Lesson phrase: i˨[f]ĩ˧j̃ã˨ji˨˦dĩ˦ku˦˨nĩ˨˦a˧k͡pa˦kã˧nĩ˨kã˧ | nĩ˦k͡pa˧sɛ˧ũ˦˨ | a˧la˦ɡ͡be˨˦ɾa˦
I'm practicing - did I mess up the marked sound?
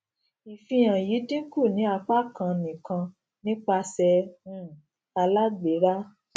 no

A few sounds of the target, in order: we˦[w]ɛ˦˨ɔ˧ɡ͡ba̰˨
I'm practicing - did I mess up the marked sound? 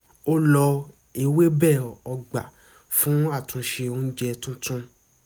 yes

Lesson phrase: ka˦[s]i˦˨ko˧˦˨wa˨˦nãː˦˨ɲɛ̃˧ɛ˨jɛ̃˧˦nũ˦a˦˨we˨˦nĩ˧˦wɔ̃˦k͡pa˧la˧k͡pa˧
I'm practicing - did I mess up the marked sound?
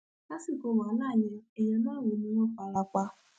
no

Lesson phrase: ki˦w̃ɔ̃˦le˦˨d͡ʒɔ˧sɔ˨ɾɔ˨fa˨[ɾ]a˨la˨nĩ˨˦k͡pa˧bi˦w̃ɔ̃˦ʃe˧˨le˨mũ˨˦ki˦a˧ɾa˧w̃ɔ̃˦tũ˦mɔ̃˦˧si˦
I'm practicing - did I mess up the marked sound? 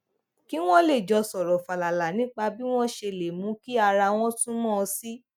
yes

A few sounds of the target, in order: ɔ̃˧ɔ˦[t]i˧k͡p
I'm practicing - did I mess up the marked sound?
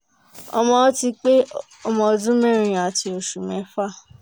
no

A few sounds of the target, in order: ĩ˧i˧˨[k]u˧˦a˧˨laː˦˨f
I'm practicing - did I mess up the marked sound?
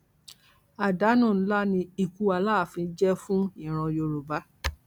no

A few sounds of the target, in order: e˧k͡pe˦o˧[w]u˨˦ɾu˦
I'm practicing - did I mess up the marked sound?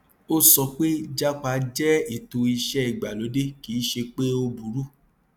yes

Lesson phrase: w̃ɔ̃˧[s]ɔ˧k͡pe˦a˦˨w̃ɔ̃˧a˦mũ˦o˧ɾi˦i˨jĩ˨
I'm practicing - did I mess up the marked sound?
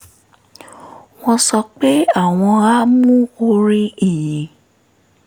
no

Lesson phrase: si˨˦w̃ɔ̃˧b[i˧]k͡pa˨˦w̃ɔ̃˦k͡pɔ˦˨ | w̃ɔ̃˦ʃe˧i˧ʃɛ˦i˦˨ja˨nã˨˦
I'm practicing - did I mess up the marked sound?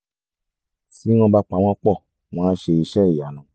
yes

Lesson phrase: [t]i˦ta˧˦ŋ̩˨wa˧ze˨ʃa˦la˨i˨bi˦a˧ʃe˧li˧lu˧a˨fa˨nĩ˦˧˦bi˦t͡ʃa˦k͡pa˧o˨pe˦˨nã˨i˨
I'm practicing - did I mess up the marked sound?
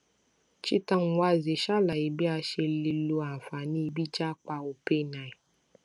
yes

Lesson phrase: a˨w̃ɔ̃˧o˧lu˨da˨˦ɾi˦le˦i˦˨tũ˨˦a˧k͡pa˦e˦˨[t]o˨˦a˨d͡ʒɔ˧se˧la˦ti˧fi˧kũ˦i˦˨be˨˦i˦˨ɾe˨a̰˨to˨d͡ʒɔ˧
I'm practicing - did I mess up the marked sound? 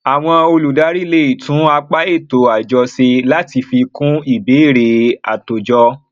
no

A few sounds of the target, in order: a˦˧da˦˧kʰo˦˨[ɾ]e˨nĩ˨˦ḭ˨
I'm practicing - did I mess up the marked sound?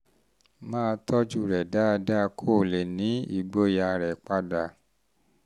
yes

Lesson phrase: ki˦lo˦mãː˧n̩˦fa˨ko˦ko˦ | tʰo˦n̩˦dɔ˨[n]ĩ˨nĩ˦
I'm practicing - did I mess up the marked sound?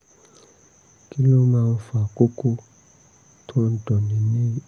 no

